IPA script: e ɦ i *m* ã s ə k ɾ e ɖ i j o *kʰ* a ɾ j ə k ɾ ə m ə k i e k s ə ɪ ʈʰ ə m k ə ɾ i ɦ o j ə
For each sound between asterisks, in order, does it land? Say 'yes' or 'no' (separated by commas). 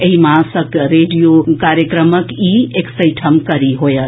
yes, no